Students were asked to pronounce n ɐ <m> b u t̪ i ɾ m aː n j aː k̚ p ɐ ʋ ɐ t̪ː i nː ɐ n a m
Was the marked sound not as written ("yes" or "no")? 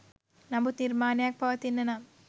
no